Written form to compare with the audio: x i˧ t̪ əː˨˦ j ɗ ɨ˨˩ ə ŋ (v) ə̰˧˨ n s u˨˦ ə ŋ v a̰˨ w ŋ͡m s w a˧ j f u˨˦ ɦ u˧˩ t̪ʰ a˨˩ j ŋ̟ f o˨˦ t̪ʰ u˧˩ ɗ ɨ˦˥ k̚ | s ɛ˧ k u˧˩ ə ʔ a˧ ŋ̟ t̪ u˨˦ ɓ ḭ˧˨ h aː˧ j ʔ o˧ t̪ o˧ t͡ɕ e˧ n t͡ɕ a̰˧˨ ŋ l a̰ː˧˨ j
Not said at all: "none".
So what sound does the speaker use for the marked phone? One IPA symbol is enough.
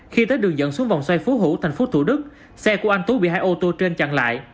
z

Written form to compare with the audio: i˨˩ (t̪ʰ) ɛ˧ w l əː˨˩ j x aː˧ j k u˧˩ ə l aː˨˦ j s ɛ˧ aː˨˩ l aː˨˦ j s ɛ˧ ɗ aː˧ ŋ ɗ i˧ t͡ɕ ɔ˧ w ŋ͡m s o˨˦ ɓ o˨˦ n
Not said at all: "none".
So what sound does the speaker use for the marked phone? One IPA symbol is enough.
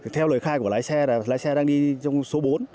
t̪ʰ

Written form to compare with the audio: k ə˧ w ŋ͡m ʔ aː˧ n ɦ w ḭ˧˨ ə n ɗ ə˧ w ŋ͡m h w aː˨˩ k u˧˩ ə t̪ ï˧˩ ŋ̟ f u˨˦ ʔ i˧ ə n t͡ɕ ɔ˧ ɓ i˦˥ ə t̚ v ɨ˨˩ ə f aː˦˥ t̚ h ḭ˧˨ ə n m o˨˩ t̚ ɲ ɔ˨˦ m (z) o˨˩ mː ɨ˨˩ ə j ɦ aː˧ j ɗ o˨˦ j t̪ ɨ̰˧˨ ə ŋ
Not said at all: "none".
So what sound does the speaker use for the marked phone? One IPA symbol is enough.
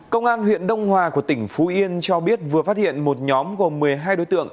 ɣ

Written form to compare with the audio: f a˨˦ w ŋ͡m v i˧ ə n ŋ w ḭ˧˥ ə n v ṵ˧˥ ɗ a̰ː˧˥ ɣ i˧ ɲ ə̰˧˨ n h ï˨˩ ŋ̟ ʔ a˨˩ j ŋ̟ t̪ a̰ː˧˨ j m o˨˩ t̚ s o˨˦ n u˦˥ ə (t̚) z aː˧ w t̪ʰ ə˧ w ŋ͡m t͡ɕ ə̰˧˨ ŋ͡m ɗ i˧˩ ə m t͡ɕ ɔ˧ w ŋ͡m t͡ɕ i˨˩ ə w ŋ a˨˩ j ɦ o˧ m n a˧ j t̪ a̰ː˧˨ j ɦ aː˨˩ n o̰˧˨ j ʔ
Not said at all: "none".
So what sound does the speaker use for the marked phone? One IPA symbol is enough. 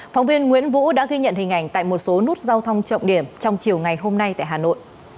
t̚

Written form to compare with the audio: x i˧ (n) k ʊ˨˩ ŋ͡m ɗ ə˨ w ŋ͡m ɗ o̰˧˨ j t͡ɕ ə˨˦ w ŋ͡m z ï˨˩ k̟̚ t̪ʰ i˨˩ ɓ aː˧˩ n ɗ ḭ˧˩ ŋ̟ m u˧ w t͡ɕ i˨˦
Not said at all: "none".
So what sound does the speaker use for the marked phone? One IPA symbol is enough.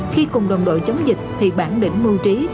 none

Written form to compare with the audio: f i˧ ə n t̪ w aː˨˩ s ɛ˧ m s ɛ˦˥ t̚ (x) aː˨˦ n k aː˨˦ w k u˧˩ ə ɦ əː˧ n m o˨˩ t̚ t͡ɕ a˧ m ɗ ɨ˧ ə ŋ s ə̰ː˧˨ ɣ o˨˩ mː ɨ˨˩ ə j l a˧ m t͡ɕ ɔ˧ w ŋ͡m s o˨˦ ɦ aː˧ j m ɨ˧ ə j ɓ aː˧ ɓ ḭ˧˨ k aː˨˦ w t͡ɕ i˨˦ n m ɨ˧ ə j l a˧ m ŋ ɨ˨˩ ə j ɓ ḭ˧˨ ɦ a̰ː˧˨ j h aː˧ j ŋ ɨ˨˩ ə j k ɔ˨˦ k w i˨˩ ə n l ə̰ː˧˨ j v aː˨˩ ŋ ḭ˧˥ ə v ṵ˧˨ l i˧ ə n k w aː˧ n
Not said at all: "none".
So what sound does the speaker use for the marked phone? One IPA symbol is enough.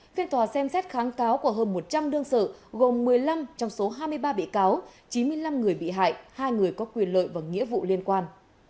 x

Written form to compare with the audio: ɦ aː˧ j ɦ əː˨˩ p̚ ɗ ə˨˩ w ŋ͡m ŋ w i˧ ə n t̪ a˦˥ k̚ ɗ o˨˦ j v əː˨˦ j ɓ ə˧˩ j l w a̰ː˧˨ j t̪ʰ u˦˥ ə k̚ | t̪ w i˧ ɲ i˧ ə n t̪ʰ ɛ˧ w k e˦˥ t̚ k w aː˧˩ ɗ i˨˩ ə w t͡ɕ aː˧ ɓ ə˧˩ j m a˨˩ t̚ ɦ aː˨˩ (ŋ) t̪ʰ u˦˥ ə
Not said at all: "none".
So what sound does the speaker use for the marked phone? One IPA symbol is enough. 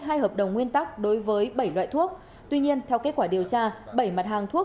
ŋ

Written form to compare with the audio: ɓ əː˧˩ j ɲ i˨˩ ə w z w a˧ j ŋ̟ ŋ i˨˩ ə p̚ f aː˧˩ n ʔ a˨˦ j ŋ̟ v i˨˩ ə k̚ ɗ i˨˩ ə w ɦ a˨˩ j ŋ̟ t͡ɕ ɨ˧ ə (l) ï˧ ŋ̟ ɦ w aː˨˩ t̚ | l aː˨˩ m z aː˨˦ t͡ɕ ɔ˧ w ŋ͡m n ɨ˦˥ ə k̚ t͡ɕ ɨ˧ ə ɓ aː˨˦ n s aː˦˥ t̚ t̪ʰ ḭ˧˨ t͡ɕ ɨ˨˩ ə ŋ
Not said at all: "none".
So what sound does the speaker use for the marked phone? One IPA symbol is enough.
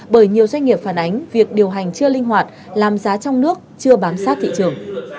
l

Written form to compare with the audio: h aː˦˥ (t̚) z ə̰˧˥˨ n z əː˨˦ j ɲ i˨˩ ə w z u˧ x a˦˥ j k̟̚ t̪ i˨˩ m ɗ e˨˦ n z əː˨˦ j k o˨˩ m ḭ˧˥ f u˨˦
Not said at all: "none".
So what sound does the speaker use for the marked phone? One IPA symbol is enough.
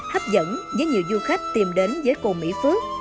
p̚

